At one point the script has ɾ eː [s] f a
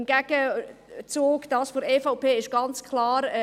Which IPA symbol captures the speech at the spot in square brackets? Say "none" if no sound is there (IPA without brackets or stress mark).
none